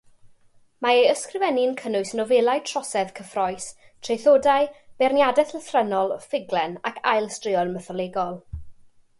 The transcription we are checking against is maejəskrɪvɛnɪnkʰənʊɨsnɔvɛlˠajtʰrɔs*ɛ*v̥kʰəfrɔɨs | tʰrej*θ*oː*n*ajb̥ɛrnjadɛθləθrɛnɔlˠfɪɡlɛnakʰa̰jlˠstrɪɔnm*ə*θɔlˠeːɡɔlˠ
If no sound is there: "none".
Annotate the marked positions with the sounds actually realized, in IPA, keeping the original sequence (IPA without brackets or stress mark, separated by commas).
ɛ, θ, d, ə